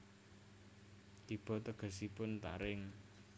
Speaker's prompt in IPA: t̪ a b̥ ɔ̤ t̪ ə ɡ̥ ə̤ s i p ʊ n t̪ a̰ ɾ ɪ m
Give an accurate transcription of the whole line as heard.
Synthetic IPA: t̪ i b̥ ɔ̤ t̪ ə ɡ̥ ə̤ s i p ʊ n t̪ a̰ ɾ ɪ ŋ